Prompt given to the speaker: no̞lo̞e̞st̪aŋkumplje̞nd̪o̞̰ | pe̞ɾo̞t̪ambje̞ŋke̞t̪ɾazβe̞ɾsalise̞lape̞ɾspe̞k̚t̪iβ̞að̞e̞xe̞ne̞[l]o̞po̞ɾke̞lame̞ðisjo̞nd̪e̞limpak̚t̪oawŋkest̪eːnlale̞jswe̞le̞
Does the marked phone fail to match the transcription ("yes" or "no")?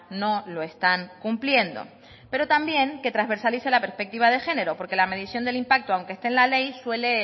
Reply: yes